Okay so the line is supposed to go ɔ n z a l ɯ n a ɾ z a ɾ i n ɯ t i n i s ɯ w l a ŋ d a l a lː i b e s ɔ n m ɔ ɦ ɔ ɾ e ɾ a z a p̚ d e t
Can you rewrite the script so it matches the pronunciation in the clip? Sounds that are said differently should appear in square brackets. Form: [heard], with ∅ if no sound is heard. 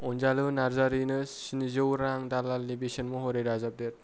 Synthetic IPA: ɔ n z a l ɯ n a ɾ z a ɾ i n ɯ [s] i n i [z] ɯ w [ɾ] a ŋ d a l a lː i b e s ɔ n m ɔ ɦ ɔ ɾ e ɾ a z a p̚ d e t